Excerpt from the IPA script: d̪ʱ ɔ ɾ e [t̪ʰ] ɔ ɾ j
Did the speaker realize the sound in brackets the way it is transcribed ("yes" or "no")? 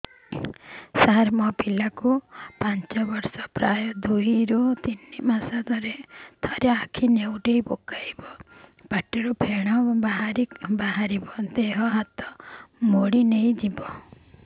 yes